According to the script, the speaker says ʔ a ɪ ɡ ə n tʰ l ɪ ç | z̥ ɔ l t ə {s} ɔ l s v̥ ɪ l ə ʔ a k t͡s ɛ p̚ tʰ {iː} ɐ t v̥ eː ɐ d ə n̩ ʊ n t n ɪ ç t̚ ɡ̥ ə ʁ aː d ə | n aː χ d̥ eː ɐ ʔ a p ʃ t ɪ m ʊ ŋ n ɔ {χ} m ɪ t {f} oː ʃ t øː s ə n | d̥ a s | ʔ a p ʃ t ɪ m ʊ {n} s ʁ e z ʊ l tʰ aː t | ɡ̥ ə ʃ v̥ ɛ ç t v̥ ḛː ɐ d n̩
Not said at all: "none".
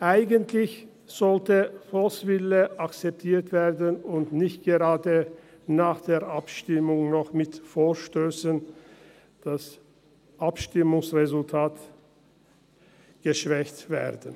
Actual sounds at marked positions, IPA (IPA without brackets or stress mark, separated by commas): f, iː, χ, f, ŋ